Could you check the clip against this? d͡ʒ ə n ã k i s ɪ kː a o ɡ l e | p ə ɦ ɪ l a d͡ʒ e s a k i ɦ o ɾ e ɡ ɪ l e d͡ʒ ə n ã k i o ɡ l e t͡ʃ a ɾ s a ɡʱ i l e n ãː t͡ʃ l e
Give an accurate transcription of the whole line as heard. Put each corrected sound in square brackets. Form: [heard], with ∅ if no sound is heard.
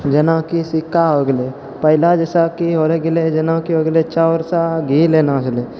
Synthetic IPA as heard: d͡ʒ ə n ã k i s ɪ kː a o ɡ l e | p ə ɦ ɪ l a d͡ʒ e s a k i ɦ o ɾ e ɡ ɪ l e d͡ʒ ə n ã k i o ɡ l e t͡ʃ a ɾ s a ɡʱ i l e n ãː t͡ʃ l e